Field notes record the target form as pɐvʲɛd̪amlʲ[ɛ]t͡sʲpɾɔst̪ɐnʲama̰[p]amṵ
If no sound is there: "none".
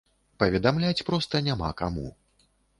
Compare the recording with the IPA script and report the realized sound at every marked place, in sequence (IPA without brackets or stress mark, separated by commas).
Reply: a, k